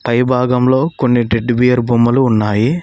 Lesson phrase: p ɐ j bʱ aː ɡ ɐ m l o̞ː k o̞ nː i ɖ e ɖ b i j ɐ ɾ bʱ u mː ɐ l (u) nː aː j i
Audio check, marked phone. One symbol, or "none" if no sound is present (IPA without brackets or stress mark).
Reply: uː